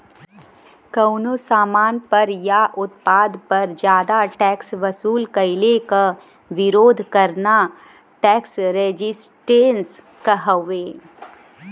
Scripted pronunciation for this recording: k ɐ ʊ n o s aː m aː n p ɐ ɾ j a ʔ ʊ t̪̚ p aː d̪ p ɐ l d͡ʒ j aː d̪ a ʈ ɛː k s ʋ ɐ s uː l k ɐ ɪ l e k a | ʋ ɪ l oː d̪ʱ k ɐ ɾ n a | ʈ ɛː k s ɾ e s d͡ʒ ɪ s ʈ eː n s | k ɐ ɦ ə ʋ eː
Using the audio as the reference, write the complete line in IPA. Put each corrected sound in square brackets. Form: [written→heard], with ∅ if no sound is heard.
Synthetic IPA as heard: k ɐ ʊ n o s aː m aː n p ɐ ɾ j a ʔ ʊ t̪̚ p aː d̪ p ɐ [l→ɾ] d͡ʒ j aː d̪ a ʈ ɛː k s ʋ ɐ s uː l k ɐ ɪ l e k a | ʋ ɪ [l→ɾ] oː d̪ʱ k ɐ ɾ n a | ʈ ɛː k s ɾ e [s→∅] d͡ʒ ɪ s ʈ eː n s | k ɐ ɦ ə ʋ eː